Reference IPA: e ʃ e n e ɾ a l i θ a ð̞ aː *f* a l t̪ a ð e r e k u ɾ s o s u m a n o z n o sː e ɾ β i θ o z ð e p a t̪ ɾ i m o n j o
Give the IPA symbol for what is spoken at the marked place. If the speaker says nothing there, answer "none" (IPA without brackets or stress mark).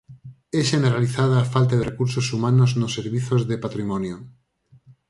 f